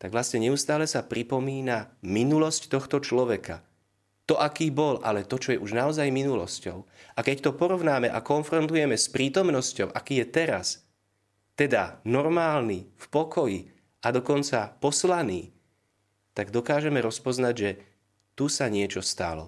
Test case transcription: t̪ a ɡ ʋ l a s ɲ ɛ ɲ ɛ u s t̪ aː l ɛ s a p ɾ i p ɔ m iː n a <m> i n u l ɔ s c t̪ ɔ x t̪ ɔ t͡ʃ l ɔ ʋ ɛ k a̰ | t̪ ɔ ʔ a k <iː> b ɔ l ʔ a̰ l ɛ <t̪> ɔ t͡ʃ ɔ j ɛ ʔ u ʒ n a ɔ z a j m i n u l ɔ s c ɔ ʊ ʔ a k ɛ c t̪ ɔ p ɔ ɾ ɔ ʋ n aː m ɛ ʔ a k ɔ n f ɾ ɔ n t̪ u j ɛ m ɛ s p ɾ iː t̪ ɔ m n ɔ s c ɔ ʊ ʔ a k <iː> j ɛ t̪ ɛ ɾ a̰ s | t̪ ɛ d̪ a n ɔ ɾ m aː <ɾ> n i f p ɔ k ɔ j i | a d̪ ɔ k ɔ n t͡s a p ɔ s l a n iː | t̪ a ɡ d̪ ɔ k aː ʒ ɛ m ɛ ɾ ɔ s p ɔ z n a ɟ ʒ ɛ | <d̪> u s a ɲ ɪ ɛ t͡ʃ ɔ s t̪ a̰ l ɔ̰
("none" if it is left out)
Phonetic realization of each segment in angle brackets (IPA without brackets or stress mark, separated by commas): m, iː, t̪, iː, l, t̪